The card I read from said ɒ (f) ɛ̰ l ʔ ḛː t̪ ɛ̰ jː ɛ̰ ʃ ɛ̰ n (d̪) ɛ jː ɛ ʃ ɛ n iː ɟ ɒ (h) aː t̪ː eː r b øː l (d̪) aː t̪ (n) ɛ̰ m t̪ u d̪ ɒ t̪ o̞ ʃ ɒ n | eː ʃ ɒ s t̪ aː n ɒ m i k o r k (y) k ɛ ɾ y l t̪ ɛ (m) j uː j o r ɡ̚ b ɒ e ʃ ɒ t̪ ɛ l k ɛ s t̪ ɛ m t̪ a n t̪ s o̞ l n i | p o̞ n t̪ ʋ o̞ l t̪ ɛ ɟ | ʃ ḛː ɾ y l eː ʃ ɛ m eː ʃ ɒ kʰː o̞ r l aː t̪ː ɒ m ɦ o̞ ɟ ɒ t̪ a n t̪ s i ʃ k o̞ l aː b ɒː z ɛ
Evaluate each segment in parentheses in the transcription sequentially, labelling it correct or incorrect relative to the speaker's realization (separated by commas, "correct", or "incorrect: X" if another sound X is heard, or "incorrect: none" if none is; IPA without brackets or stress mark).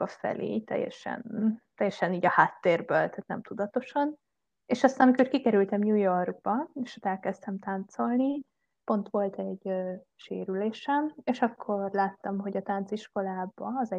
correct, incorrect: t̪, correct, incorrect: t̪, correct, incorrect: i, correct